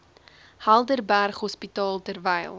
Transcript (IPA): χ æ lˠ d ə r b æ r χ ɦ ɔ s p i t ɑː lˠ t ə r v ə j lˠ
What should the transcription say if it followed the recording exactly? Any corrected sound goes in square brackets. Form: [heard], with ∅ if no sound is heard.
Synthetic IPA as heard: [h] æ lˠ d ə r b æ r χ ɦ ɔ s p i t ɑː lˠ t ə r v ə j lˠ